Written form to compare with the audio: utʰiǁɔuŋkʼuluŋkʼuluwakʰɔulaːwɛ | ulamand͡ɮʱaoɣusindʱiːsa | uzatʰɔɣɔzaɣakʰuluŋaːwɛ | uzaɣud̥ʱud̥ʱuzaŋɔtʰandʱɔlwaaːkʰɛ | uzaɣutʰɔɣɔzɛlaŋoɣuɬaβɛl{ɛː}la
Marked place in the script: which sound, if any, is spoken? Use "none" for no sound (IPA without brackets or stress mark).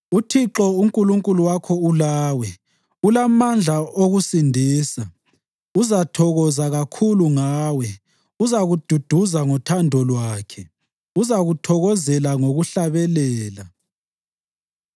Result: ɛː